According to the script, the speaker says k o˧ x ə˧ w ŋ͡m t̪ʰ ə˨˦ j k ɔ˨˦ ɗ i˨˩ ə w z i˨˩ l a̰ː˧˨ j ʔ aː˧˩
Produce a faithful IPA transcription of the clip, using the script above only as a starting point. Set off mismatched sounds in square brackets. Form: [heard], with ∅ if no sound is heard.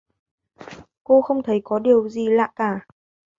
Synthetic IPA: k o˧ x ə˧ w ŋ͡m t̪ʰ ə˨˦ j k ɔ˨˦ ɗ i˨˩ ə w z i˨˩ l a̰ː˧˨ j [k] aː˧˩